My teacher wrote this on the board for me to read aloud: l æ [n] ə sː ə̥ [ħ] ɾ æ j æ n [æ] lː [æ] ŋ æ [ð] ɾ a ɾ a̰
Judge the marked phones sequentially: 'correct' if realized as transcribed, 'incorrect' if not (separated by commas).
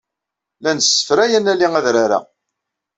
correct, incorrect, correct, incorrect, correct